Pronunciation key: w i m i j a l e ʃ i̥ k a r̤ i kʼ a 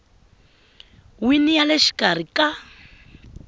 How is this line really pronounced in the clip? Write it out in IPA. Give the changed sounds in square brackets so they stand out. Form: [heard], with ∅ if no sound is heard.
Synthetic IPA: w i [n] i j a l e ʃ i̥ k a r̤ i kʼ a